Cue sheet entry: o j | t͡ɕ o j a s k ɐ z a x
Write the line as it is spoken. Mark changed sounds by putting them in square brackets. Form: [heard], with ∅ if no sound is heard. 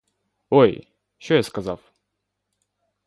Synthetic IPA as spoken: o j | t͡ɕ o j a s k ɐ z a [f]